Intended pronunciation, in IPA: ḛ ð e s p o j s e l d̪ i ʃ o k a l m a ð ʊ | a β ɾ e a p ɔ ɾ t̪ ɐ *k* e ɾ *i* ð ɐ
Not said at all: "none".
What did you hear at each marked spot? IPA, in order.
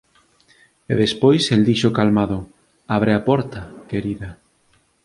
k, i

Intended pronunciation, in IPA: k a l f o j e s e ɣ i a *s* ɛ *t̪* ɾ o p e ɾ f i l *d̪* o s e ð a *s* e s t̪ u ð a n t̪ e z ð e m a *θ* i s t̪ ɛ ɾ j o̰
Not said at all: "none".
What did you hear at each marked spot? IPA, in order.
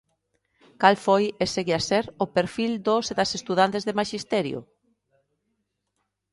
s, none, d̪, s, ʃ

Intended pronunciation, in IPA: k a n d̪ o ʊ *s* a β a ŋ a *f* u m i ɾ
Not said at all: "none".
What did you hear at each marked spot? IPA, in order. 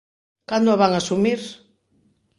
none, s

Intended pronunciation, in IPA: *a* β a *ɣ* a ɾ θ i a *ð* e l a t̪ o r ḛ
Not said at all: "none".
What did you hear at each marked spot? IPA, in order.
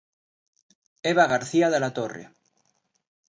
e, ɣ, ð

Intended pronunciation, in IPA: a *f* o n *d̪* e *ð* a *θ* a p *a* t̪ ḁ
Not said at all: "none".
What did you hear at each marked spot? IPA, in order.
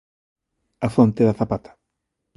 f, t̪, ð, θ, a

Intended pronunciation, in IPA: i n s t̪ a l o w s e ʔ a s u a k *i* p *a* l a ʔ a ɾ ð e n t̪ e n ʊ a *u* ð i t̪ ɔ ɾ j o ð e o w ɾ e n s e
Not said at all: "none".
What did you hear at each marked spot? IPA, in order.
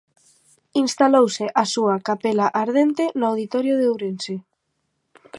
a, e, w

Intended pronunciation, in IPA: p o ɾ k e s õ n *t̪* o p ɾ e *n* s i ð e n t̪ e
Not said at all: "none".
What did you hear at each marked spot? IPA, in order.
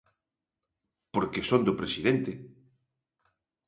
d̪, none

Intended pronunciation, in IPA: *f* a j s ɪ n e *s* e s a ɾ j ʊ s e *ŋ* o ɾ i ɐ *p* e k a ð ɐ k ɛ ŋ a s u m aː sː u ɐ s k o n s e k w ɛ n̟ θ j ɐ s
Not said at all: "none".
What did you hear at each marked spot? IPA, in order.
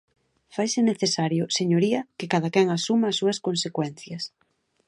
f, θ, ɲ, k

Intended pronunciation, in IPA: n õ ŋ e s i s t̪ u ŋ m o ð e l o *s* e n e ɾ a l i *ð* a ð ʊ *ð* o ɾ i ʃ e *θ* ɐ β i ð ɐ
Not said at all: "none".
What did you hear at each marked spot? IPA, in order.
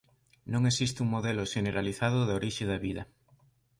ʃ, θ, ð, ð

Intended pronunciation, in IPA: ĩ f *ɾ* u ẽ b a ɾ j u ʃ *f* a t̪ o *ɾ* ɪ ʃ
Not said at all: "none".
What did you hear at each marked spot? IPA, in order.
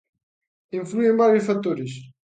l, f, ɾ

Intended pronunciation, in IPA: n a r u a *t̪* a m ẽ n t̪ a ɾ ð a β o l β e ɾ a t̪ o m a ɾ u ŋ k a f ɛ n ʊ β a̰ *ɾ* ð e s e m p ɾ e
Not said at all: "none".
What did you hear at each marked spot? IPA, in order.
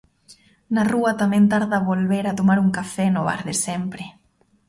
t̪, ɾ

